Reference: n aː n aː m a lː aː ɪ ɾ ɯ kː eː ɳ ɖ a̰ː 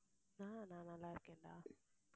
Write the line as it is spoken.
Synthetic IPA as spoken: n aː n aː n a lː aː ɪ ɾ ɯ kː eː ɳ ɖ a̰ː

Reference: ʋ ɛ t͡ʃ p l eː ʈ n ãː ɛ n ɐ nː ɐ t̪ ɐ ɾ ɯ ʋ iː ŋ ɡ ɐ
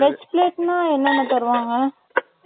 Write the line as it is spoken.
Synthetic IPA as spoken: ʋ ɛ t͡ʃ p l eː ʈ n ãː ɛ nː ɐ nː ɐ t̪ ɐ ɾ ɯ ʋ aː ŋ ɡ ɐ

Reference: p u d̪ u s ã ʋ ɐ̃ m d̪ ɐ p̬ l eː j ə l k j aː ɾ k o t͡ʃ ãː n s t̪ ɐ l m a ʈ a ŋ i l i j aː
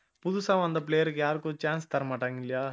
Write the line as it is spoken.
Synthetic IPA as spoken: p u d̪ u s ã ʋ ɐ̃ n d̪ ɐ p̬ l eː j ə ɾ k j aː ɾ k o t͡ʃ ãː n s t̪ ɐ ɾ m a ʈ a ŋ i l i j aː

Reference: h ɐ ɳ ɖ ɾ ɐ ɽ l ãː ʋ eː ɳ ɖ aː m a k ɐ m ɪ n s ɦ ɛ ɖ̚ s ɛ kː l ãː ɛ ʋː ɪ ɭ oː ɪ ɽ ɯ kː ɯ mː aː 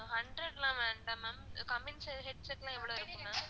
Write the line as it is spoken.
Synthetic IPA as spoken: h ɐ ɳ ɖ ɾ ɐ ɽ l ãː ʋ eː ɳ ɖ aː m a k ɐ m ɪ n s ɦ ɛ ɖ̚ s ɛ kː l ãː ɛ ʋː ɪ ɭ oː ɪ ɾ ɯ kː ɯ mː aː

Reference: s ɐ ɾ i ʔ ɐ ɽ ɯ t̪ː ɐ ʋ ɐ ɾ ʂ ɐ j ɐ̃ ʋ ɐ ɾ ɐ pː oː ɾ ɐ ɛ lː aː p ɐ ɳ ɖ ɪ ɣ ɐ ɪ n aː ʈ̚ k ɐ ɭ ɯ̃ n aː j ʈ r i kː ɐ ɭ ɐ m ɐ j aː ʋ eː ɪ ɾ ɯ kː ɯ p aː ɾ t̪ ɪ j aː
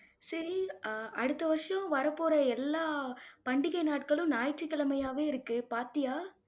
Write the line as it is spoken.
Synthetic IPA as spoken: s ɐ ɾ i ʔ ɐ ɽ ɯ t̪ː ɐ ʋ ɐ ɾ ʂ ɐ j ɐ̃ ʋ ɐ ɾ ɐ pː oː ɾ ɐ ɛ lː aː p ɐ ɳ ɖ ɪ ɣ ɐ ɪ n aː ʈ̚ k ɐ ɭ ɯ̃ n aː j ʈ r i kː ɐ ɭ ɐ m ɐ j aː ʋ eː ɪ ɾ ɯ kː ɯ p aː ɾ t̪ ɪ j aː

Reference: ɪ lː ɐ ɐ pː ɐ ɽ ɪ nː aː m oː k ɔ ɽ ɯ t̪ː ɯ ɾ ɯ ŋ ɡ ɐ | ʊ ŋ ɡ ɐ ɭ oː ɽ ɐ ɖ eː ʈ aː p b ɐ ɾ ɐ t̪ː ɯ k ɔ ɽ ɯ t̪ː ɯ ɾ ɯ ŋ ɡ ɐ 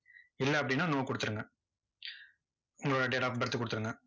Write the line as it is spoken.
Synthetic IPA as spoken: ɪ lː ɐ ɐ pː ɐ ɽ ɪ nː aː n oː k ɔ ɽ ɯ t̪ː ɯ ɾ ɯ ŋ ɡ ɐ | ʊ ŋ ɡ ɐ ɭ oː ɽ ɐ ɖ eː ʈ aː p b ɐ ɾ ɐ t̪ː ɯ k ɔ ɽ ɯ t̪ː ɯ ɾ ɯ ŋ ɡ ɐ

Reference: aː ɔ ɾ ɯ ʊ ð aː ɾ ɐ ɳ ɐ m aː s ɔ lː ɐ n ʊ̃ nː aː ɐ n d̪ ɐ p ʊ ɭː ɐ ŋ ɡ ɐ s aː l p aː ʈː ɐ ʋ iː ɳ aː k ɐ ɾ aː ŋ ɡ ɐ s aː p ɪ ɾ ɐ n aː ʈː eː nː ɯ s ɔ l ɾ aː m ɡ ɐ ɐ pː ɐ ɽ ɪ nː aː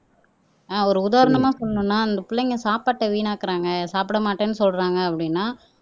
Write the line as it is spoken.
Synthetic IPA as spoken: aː ɔ ɾ ɯ ʊ ð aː ɾ ɐ ɳ ɐ m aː s ɔ lː ɐ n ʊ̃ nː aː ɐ n d̪ ɐ p ʊ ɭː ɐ ŋ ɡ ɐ s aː p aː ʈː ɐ ʋ iː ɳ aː k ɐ ɾ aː ŋ ɡ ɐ s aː p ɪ ɽ ɐ m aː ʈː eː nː ɯ s ɔ l ɾ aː ŋ ɡ ɐ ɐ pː ɐ ɽ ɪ nː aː

